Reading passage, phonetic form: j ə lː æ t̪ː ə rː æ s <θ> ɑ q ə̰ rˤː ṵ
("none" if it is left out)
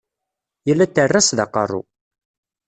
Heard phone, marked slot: ð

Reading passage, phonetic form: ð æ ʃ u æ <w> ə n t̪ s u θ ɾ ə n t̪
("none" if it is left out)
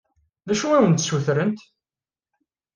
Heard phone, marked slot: w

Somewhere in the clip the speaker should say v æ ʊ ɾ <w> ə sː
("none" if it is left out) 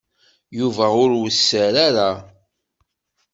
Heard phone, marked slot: w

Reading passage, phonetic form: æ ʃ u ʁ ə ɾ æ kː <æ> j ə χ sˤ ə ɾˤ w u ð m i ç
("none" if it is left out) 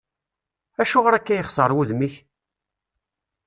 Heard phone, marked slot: æ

